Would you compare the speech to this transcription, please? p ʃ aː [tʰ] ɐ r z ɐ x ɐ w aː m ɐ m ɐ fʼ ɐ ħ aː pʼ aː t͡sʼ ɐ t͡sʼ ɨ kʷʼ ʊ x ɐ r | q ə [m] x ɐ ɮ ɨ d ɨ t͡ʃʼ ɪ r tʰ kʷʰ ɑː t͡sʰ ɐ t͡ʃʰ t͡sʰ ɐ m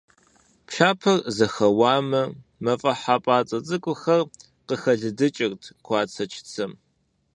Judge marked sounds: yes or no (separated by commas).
no, no